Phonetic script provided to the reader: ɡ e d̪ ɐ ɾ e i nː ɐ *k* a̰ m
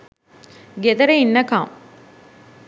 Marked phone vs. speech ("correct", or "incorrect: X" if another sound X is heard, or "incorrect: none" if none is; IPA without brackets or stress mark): correct